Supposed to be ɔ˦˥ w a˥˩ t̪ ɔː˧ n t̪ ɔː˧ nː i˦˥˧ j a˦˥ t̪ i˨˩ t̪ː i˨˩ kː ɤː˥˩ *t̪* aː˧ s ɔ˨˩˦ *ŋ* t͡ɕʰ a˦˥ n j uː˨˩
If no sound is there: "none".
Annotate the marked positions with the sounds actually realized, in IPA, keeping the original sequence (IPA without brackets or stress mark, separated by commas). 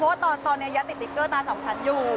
t̪, ŋ